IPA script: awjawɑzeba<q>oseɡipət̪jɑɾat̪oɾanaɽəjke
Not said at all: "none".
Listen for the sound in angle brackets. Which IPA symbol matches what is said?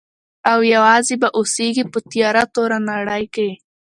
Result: ʔ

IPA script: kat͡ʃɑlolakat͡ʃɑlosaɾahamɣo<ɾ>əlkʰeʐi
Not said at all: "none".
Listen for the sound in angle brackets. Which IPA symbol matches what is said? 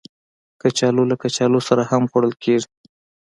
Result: ɽ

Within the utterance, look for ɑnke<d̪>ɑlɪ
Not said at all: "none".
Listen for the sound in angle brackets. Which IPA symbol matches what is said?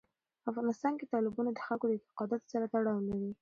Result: t̪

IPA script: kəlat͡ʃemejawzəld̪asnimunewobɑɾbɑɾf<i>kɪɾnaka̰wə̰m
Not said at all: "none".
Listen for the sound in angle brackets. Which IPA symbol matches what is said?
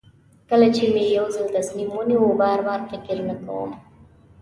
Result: ɪ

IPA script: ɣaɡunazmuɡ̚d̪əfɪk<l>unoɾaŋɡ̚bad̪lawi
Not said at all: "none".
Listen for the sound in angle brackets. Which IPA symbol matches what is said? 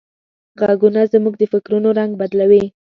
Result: ɾ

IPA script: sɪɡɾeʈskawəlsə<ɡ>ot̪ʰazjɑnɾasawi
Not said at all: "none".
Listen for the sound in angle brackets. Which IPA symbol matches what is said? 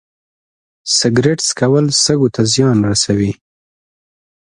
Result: ɡ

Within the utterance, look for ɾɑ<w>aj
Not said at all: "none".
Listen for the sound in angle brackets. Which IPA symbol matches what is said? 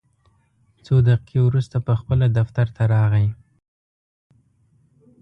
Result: ɣ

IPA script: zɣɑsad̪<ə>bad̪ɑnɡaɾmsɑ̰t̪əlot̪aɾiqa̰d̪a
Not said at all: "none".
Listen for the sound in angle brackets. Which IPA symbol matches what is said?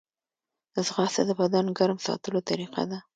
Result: ə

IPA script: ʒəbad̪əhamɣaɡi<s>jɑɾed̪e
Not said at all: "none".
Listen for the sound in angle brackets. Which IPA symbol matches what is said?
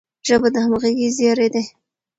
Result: z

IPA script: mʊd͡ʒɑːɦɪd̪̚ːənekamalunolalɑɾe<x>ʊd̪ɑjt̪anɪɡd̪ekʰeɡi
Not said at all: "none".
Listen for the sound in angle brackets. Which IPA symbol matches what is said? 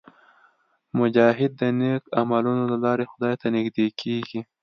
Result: x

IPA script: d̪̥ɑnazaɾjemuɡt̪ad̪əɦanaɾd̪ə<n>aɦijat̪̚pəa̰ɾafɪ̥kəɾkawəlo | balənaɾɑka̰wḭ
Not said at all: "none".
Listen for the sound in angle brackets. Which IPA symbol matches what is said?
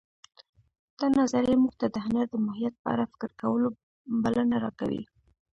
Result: m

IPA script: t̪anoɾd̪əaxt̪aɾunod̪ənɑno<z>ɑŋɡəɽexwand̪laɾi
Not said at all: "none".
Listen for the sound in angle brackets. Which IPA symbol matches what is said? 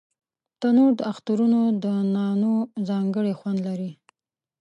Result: z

